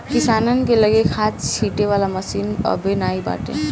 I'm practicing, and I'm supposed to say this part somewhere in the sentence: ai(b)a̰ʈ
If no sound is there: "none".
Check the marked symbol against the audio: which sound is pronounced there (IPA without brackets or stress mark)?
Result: b